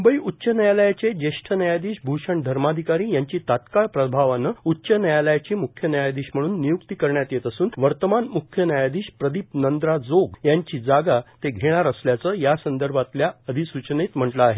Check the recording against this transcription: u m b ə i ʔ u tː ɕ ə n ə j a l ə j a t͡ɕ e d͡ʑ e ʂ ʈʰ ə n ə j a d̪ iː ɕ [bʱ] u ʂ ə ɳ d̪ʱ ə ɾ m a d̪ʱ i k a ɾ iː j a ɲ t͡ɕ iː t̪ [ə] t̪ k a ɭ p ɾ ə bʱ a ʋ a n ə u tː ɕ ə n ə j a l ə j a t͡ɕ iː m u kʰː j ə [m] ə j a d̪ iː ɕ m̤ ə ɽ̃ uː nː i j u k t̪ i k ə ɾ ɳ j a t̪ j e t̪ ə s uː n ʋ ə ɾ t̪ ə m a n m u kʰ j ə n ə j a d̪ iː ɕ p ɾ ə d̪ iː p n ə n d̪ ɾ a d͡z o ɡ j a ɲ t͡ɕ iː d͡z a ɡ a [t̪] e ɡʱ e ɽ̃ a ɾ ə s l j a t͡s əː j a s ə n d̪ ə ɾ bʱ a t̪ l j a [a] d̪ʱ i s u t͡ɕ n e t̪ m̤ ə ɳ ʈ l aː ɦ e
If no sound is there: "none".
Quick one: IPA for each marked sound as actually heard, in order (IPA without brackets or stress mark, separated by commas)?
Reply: bʱ, a, n, t̪, ə